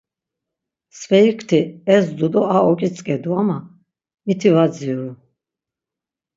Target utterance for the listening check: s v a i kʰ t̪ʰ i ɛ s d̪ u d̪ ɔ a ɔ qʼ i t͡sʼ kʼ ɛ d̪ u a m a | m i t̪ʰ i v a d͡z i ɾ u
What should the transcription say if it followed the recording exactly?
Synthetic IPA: s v ɛ i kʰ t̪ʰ i ɛ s d̪ u d̪ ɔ a ɔ kʼ i t͡sʼ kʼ ɛ d̪ u a m a | m i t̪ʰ i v a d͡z i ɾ u

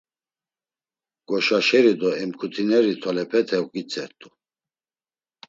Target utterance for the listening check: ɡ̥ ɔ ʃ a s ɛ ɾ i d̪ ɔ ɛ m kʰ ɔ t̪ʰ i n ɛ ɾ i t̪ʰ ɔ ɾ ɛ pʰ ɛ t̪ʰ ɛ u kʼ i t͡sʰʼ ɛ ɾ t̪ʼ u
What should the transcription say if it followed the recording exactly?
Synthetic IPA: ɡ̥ ɔ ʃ a ʃ ɛ ɾ i d̪ ɔ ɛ m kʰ u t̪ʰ i n ɛ ɾ i t̪ʰ ɔ l ɛ pʰ ɛ t̪ʰ ɛ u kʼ i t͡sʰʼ ɛ ɾ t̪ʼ u

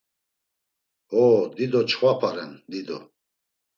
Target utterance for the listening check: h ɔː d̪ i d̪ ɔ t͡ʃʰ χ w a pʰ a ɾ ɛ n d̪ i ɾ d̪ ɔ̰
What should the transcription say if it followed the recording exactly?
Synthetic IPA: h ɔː d̪ i d̪ ɔ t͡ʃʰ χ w a pʰ a ɾ ɛ n d̪ i d̪ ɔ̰

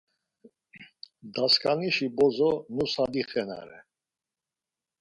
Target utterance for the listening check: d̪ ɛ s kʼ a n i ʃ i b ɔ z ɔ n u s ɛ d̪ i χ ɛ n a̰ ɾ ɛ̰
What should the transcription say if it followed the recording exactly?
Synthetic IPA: d̪ a s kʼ a n i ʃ i b ɔ z ɔ n u s a d̪ i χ ɛ n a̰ ɾ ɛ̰

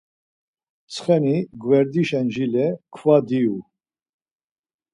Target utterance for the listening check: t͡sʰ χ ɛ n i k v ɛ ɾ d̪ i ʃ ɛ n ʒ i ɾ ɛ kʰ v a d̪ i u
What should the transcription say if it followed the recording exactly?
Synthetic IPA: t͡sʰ χ ɛ n i ɡ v ɛ ɾ d̪ i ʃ ɛ n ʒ i l ɛ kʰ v a d̪ i u

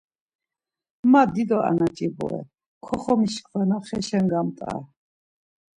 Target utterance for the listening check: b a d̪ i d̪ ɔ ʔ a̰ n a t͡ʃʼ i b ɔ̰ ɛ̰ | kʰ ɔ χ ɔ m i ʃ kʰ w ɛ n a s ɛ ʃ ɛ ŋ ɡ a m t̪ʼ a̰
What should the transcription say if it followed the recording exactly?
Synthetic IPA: m a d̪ i d̪ ɔ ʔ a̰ n a t͡ʃʼ i b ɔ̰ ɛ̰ | kʰ ɔ χ ɔ m i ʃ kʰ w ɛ n a χ ɛ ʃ ɛ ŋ ɡ a m t̪ʼ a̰

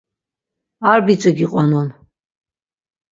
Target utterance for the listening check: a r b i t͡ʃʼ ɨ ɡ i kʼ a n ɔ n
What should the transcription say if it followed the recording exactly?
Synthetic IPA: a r b i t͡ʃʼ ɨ ɡ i qʼ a n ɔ n

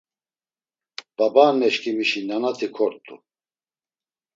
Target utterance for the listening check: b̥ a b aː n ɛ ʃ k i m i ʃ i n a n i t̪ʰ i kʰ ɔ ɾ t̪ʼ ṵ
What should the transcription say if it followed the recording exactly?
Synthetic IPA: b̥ a b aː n ɛ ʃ k i m i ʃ i n a n a t̪ʰ i kʰ ɔ ɾ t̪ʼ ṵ

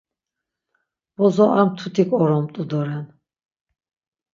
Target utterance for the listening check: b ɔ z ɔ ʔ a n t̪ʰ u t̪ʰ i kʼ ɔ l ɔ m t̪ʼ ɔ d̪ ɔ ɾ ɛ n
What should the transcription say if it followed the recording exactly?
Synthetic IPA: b ɔ z ɔ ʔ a m t̪ʰ u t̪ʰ i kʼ ɔ ɾ ɔ m t̪ʼ u d̪ ɔ ɾ ɛ n

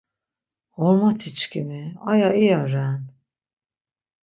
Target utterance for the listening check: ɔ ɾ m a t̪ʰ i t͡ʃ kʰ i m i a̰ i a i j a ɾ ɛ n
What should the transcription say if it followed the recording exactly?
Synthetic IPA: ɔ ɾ m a t̪ʰ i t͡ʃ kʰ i m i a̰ j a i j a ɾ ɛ n

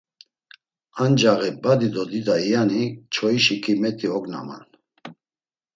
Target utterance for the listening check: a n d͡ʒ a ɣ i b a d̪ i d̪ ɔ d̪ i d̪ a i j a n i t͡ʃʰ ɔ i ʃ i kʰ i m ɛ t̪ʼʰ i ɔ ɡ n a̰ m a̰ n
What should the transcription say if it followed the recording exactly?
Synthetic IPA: a n d͡ʒ a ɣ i b a d̪ i d̪ ɔ d̪ i d̪ a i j a n i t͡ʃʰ ɔ i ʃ i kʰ i m ɛ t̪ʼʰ i ɔ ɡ n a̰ m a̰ n

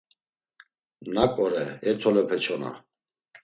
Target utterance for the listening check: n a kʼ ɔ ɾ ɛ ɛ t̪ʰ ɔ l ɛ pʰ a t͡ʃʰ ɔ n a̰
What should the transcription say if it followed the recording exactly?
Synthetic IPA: n a kʼ ɔ ɾ ɛ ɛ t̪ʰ ɔ l ɛ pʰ ɛ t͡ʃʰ ɔ n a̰

